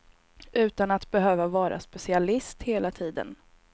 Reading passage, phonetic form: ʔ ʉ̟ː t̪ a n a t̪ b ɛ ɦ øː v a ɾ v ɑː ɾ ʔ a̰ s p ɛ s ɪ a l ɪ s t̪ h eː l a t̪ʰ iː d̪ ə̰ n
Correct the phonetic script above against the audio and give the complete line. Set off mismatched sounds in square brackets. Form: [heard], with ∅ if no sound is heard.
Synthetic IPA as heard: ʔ ʉ̟ː t̪ a n a t̪ b ɛ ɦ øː v a [∅] v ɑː ɾ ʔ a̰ s p ɛ s ɪ a l ɪ s t̪ h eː l a t̪ʰ iː d̪ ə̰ n